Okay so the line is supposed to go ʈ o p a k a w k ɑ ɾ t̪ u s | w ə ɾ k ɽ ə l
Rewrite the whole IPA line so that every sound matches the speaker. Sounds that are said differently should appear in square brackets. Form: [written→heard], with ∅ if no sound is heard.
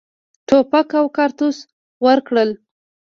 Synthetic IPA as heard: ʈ o p a k a w k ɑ ɾ t̪ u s | w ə ɾ k ɽ ə l